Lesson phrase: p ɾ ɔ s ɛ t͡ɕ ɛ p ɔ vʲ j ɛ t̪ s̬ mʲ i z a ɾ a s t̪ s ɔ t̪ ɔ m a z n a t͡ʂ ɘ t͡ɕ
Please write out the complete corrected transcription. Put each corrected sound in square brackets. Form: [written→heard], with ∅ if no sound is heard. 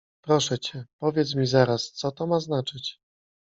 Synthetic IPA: p ɾ ɔ [s→ʂ] ɛ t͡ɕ ɛ p ɔ vʲ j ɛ t̪ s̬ mʲ i z a ɾ a s t̪ s ɔ t̪ ɔ m a z n a t͡ʂ ɘ t͡ɕ